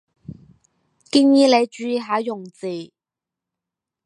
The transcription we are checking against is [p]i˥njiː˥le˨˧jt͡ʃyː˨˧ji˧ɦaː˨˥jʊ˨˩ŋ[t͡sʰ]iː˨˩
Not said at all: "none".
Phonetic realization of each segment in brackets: k, t͡s

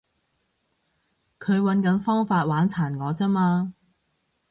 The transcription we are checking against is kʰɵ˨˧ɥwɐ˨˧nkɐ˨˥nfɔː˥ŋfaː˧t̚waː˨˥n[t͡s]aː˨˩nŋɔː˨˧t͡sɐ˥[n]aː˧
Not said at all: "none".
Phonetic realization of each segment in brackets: t͡sʰ, m

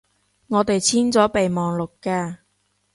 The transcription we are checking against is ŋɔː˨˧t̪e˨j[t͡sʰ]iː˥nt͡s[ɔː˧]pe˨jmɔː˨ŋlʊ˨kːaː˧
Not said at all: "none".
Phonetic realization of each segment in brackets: t͡sʰ, ɔː˨˥

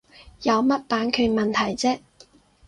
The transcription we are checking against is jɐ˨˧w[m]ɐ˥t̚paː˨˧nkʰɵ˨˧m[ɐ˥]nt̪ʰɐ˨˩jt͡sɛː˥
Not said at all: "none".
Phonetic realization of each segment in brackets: m, ɐ˨

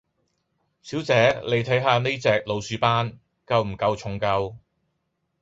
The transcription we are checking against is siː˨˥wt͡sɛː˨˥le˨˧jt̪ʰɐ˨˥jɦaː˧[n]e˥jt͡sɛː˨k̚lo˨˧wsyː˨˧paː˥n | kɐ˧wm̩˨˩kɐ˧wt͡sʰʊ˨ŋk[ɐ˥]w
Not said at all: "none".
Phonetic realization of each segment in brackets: n, ɐ˧

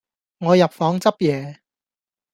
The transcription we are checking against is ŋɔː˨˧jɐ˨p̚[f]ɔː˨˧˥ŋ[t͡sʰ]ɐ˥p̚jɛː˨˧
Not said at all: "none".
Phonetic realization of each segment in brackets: f, t͡s

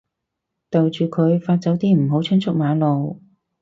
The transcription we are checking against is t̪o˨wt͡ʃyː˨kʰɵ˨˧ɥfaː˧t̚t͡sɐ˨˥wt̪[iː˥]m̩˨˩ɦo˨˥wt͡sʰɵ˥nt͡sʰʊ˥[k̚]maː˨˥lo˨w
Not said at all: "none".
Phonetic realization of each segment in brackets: iː˥, k̚

